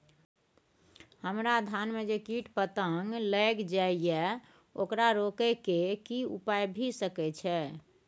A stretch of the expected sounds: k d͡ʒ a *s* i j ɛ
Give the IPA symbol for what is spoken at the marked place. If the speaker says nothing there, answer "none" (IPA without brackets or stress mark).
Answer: none